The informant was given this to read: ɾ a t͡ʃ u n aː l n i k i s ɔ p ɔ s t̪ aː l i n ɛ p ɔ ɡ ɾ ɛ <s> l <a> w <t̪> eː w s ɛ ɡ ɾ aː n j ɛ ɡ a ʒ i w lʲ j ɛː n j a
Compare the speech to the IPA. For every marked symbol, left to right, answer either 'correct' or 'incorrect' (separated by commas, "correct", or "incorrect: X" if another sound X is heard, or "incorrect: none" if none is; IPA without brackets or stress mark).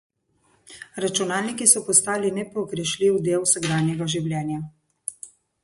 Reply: incorrect: ʃ, incorrect: i, incorrect: d̪